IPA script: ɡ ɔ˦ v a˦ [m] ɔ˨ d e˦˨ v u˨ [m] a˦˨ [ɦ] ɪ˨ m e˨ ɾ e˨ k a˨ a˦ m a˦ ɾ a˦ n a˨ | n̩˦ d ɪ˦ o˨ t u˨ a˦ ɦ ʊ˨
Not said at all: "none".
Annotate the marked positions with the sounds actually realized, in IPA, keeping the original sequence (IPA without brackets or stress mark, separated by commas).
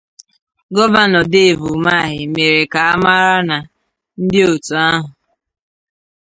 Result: n, m, ɦ